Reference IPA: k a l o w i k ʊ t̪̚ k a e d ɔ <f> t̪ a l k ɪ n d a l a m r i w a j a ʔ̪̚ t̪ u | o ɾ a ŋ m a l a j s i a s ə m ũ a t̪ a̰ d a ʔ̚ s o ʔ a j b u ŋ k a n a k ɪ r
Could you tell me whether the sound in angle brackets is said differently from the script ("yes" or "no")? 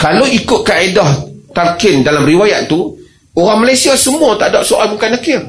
yes